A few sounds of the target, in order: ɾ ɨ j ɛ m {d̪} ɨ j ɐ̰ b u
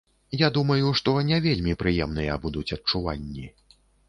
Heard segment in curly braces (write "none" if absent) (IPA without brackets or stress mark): n̪